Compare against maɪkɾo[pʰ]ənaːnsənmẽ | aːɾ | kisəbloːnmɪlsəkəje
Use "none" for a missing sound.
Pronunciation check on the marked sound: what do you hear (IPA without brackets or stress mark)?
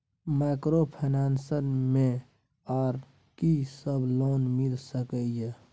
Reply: pʰ